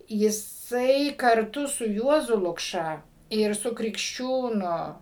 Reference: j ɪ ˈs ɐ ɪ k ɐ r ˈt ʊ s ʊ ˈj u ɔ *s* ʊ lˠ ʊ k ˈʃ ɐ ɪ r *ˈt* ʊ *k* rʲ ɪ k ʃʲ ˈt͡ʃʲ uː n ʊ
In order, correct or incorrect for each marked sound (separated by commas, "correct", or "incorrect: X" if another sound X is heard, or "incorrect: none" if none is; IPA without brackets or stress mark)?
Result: incorrect: z, incorrect: s, correct